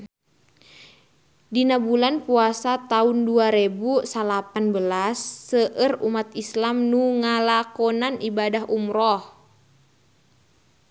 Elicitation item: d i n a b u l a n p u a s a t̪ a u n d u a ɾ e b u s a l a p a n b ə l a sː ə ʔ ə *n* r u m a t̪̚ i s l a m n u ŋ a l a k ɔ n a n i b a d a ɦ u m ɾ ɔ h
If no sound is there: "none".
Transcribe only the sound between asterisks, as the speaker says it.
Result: none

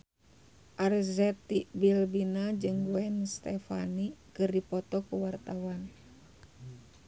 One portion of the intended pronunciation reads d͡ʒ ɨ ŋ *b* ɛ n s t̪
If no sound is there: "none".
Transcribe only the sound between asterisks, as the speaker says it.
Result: w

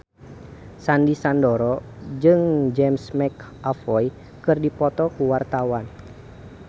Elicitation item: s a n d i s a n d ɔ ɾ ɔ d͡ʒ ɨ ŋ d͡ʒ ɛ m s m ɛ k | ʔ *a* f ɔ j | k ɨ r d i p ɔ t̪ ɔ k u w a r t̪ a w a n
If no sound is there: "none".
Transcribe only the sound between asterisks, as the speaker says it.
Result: a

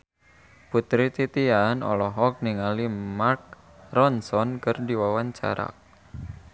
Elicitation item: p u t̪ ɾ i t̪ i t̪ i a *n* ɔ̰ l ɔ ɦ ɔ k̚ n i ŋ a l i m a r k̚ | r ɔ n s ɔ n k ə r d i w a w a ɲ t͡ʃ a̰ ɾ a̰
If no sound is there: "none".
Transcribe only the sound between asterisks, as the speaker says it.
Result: n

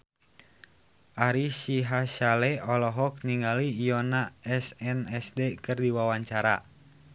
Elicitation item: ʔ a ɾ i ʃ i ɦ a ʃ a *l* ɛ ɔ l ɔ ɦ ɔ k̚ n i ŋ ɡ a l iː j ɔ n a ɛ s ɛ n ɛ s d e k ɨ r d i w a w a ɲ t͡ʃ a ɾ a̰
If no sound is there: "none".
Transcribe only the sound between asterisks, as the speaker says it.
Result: l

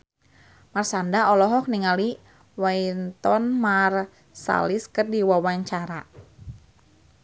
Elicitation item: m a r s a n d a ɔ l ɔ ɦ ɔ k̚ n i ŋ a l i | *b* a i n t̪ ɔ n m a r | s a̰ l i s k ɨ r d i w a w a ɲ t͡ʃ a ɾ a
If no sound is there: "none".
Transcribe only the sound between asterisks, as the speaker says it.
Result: w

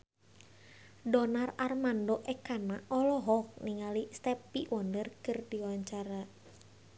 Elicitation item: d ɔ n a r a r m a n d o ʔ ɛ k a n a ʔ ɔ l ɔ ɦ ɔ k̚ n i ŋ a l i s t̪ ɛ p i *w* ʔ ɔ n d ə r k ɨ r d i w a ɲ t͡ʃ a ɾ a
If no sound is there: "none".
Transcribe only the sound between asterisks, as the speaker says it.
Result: w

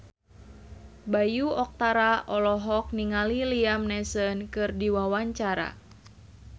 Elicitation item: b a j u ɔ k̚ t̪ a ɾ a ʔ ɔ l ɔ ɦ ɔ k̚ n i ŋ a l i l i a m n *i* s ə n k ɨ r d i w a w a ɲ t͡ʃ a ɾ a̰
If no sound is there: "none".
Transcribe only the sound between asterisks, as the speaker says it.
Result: ɛ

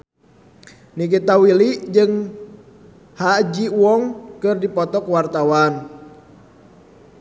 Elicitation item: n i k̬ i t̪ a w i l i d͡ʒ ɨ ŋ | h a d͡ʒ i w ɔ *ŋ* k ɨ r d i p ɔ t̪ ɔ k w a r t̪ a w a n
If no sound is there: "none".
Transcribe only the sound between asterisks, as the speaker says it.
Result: ŋ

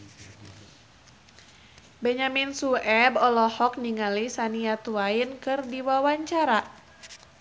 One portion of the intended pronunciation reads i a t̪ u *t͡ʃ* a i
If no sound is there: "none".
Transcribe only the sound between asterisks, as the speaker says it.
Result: none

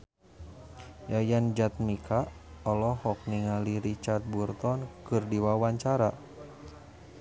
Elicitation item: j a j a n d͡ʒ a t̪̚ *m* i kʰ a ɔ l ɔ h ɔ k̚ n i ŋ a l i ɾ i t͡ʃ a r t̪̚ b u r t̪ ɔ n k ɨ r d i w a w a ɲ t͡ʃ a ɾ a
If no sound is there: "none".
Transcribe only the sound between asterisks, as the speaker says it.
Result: m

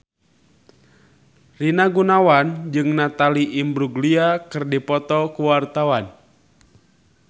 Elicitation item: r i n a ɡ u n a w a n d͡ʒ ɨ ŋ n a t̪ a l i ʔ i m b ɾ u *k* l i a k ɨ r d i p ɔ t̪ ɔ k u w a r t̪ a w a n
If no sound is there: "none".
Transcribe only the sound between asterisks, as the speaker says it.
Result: ɡ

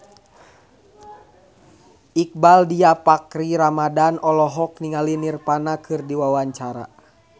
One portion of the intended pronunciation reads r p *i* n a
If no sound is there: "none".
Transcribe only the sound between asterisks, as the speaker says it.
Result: a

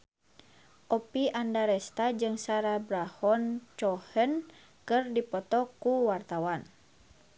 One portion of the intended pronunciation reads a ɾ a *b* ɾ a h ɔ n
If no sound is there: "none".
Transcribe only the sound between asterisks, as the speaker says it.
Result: b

